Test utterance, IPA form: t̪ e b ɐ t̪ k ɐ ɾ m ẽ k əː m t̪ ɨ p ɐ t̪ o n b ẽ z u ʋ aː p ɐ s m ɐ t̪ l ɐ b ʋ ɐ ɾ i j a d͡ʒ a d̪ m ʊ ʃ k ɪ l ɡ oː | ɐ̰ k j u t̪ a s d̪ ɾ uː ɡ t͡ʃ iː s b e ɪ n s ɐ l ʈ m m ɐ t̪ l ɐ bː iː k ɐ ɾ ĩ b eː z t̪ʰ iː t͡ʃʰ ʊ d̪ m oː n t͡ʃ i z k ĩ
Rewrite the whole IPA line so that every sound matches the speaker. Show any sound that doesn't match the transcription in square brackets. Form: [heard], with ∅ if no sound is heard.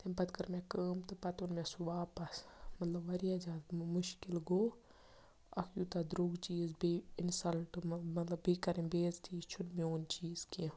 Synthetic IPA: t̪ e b ɐ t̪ k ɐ ɾ m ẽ k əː m t̪ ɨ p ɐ t̪ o n [m] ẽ [s] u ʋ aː p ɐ s m ɐ t̪ l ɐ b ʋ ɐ ɾ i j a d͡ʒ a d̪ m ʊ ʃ k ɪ l ɡ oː | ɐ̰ k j u t̪ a [∅] d̪ ɾ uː ɡ t͡ʃ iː [z] b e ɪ n s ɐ l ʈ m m ɐ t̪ l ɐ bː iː k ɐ ɾ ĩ b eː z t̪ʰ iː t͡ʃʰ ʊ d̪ m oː n t͡ʃ [iː] z k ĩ